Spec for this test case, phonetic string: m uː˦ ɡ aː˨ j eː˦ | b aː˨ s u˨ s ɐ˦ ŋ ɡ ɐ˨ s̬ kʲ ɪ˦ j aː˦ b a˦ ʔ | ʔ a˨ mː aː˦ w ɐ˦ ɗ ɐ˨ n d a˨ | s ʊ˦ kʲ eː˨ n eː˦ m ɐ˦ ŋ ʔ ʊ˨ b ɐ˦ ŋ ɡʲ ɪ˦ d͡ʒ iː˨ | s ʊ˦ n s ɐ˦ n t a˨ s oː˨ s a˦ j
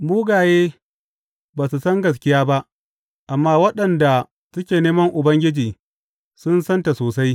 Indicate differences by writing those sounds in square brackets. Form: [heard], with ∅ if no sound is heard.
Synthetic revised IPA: m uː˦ ɡ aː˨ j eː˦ | b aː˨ s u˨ s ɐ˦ ŋ ɡ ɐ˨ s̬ kʲ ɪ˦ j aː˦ b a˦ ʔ | ʔ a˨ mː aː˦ w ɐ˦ ɗ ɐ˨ n d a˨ | s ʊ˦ kʲ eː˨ n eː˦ m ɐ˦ ŋ ʔ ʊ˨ b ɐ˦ ŋ ɡʲ ɪ˦ d͡ʒ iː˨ | s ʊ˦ n s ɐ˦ n t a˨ s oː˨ s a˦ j